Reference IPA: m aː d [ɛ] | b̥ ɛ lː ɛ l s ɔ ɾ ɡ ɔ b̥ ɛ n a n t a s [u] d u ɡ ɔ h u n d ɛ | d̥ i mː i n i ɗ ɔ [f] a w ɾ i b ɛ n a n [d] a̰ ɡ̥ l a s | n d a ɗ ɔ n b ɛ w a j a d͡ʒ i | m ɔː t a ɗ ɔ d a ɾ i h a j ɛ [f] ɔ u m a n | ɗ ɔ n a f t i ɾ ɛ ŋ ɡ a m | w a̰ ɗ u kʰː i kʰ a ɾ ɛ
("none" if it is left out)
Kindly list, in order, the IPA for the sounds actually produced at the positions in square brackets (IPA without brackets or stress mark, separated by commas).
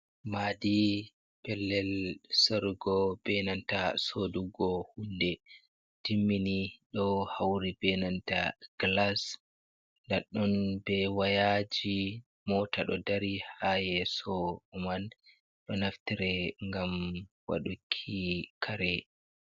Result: i, o, h, t, s